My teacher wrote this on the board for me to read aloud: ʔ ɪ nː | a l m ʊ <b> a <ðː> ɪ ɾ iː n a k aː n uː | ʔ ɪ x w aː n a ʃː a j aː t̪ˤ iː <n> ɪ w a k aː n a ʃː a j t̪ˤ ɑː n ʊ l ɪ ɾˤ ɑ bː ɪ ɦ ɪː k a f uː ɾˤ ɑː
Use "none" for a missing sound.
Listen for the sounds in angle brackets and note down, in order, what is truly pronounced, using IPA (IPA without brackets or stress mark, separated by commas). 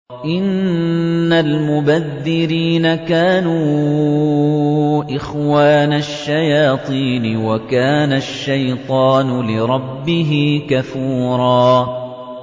b, ðː, n